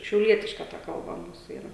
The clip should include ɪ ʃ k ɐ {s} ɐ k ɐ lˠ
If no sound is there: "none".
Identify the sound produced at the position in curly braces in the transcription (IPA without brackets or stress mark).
t